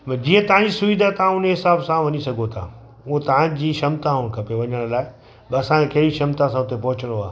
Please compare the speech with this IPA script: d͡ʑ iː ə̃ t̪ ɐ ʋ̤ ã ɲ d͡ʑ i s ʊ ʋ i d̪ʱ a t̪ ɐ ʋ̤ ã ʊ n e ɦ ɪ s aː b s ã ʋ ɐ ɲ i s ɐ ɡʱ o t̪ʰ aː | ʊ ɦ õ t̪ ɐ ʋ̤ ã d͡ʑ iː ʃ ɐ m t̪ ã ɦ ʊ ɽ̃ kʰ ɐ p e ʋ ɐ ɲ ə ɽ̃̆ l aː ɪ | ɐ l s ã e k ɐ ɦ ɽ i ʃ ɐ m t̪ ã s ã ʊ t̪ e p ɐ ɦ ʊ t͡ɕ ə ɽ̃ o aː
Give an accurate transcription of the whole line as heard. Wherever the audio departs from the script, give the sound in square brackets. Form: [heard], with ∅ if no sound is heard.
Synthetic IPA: d͡ʑ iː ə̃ t̪ ɐ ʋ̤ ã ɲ d͡ʑ i s ʊ ʋ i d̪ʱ a t̪ ɐ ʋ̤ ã ʊ n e ɦ ɪ s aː b s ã ʋ ɐ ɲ i s ɐ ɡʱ o t̪ʰ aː | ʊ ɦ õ t̪ ɐ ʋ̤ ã d͡ʑ iː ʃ ɐ m t̪ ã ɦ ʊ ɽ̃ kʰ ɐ p e ʋ ɐ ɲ ə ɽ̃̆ l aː ɪ | ɐ [∅] s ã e k ɐ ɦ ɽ i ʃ ɐ m t̪ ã s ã ʊ t̪ e p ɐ ɦ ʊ t͡ɕ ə ɽ̃ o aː